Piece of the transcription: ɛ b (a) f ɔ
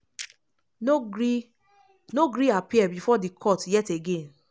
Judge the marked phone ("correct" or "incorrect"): incorrect